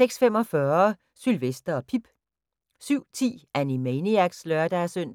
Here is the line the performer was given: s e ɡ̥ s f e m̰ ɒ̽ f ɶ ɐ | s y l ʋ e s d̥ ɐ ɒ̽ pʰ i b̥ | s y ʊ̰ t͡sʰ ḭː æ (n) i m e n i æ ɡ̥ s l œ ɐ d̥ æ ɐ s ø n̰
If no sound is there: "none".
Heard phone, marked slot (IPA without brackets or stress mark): n